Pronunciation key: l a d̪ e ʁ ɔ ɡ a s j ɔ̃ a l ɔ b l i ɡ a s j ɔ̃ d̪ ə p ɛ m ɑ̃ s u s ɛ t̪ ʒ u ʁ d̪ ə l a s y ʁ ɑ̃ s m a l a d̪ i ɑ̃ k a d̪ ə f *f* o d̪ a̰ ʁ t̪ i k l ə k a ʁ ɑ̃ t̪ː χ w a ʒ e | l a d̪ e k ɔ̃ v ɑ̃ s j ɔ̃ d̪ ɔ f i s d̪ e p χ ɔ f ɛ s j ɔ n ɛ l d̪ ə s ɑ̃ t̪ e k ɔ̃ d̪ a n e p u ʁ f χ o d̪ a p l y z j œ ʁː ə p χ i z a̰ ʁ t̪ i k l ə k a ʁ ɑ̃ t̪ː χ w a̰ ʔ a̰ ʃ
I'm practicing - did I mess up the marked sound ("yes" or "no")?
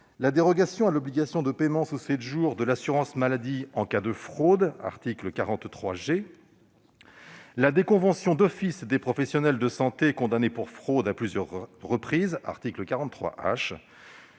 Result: yes